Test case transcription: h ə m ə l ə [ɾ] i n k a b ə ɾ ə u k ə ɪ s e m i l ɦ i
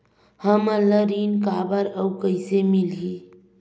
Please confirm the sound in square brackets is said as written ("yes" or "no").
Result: yes